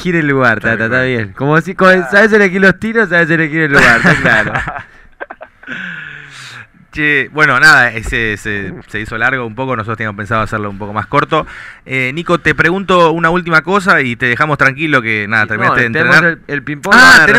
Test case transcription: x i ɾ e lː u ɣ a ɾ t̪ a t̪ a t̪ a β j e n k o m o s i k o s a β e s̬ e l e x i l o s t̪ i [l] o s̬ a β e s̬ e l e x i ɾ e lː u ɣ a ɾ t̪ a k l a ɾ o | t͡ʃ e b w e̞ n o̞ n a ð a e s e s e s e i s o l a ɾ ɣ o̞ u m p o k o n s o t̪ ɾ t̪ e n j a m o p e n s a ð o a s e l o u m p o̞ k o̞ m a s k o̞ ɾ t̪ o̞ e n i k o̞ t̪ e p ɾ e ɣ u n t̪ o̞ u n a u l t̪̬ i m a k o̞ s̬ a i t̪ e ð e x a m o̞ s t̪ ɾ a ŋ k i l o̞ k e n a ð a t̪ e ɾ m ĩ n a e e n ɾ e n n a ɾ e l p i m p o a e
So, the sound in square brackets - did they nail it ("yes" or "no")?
no